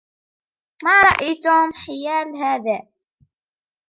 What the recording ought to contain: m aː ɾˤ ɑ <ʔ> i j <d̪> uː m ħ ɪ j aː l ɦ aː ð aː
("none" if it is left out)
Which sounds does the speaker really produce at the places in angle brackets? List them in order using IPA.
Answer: ʔ, t̪

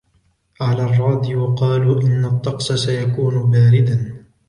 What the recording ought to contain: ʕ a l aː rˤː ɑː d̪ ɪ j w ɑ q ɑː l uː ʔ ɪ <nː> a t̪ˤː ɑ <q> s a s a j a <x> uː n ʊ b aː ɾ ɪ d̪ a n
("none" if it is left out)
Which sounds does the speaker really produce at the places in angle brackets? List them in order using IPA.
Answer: nː, q, k

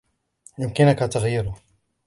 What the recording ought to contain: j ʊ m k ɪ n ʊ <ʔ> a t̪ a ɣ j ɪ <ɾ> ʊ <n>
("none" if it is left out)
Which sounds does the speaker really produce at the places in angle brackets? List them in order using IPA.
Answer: k, ɾ, none

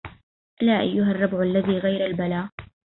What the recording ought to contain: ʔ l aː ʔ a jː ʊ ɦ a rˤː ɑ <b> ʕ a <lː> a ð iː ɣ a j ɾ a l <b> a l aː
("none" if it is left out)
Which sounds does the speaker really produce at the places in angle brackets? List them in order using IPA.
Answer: b, lː, b

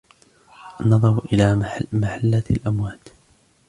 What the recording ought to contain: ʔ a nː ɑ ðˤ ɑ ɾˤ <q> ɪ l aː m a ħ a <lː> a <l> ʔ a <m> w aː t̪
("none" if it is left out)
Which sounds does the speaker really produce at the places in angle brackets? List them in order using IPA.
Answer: ʔ, lː, l, m

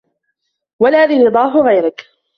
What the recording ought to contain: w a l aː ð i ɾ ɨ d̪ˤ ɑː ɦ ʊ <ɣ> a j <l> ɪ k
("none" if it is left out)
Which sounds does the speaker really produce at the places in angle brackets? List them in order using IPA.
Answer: ɣ, ɾ

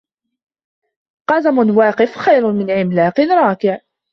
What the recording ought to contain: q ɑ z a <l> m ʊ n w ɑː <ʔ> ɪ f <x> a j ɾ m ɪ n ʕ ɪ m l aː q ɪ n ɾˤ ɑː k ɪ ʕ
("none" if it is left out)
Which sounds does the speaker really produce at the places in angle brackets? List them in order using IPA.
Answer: none, q, x

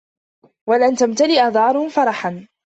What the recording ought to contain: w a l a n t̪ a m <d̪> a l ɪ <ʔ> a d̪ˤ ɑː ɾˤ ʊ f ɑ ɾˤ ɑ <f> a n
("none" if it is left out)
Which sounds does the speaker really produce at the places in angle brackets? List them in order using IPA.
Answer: t̪, ʔ, ħ

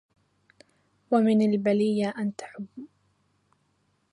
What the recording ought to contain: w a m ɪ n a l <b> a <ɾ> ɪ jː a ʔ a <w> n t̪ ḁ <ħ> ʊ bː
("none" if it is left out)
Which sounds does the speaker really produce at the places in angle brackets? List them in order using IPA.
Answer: b, l, none, ħ

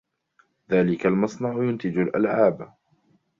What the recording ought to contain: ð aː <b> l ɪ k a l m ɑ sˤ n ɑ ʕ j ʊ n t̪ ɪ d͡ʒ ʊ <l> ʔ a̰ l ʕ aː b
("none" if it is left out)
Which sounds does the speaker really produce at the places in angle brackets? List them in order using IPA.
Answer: none, l

